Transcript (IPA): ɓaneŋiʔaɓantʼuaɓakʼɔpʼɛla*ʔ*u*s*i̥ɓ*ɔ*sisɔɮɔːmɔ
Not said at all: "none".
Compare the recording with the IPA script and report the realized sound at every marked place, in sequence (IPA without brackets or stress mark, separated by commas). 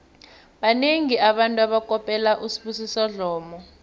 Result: ʔ, s, u